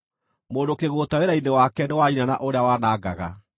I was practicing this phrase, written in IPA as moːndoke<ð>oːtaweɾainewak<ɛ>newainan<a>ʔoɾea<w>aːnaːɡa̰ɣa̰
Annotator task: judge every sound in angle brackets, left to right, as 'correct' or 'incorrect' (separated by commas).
incorrect, correct, correct, correct